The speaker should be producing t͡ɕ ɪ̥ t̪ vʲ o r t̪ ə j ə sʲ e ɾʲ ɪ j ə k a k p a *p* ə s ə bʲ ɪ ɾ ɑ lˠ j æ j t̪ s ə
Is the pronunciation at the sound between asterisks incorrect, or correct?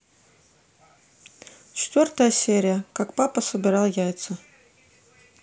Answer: correct